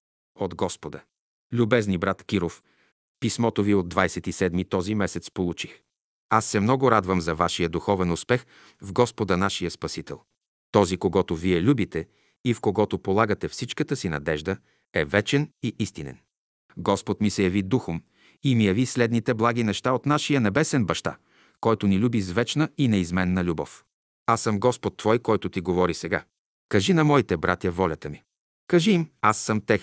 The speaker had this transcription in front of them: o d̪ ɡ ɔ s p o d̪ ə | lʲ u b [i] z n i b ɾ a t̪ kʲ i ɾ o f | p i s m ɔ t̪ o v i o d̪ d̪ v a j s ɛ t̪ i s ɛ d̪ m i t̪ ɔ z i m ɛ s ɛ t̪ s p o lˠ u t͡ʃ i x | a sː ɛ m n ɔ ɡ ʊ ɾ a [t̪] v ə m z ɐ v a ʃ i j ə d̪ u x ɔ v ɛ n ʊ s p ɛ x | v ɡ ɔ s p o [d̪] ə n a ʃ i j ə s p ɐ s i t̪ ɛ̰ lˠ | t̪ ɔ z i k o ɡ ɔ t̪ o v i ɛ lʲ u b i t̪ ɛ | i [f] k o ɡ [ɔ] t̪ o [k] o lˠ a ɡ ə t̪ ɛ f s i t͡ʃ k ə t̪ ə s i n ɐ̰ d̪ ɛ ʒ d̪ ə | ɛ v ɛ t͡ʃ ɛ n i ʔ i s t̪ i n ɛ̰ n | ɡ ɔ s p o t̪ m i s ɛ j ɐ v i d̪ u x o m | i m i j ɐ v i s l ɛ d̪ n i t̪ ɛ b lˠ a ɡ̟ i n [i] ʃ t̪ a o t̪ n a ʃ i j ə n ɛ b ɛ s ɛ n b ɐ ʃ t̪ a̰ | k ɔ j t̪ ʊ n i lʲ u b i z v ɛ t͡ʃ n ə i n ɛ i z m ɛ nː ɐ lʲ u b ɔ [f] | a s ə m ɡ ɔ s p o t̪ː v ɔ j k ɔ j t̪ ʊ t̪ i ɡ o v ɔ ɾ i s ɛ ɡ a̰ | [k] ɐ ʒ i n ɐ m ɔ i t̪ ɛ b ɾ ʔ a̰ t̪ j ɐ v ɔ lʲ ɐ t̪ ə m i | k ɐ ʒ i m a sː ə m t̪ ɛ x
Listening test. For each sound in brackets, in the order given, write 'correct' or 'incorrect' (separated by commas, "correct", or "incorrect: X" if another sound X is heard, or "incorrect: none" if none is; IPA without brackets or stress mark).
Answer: incorrect: ɛ, incorrect: d̪, correct, correct, correct, incorrect: p, incorrect: ɛ, correct, correct